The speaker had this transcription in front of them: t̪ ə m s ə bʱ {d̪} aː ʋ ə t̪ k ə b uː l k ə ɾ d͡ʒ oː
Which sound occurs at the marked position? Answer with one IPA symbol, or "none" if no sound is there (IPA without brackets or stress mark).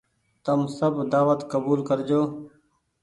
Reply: d̪